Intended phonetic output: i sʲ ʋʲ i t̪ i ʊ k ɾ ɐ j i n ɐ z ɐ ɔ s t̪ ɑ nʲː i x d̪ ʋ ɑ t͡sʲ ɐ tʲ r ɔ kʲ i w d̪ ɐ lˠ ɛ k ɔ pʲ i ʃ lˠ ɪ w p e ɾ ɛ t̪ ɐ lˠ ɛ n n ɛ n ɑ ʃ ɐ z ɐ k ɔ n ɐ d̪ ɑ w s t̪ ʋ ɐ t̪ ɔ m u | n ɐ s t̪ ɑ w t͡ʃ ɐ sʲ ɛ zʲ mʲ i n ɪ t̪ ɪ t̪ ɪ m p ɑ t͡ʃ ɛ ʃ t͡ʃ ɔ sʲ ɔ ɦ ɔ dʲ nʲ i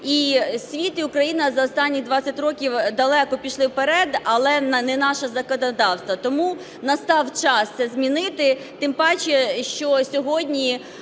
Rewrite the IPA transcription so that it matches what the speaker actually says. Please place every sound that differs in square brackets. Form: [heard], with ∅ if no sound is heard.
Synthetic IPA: i sʲ ʋʲ i t̪ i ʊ k ɾ ɐ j i n ɐ z ɐ ɔ s t̪ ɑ nʲː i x d̪ ʋ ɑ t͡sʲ ɐ tʲ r ɔ kʲ i w d̪ ɐ lˠ ɛ k ɔ pʲ i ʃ lˠ ɪ w p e ɾ ɛ [d̪] ɐ lˠ ɛ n n ɛ n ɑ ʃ ɐ z ɐ k ɔ n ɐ d̪ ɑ w s t̪ ʋ ɐ t̪ ɔ m u | n ɐ s t̪ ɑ w t͡ʃ [ɑ] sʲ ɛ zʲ mʲ i n ɪ t̪ ɪ t̪ ɪ m p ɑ t͡ʃ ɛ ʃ t͡ʃ ɔ sʲ ɔ ɦ ɔ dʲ nʲ i